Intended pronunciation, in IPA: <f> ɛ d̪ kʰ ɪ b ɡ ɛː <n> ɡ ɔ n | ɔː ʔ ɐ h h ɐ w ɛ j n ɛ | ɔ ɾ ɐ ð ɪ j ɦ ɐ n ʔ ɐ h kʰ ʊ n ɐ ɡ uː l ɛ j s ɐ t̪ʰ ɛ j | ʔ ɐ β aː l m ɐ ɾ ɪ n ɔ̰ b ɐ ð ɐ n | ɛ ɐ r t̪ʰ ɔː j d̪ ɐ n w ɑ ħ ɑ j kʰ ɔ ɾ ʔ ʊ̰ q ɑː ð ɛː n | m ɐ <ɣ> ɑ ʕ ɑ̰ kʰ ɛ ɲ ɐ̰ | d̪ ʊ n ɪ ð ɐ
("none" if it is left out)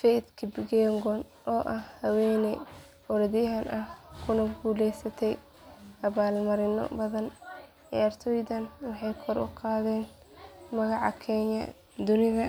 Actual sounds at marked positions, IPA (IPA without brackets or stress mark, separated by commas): f, ŋ, ɣ